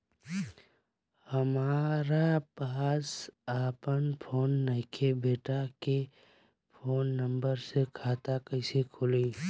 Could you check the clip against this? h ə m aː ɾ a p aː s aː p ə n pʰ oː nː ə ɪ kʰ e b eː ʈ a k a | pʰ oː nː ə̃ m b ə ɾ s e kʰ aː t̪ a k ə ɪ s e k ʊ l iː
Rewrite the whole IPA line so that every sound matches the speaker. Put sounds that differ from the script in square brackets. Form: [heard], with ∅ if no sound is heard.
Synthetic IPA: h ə m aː ɾ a p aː s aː p ə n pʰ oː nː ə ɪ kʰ e b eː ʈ a k [e] | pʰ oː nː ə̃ m b ə ɾ s e kʰ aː t̪ a k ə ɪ s e [kʰ] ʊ l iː